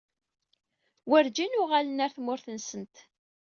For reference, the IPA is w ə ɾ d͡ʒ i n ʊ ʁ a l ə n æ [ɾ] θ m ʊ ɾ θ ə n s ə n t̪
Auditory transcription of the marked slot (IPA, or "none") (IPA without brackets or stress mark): ɾ